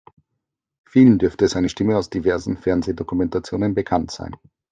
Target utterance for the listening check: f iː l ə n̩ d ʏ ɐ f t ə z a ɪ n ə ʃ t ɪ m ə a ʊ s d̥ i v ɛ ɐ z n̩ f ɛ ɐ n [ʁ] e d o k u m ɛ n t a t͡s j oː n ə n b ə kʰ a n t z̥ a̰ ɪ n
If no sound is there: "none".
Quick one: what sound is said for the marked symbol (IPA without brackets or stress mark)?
z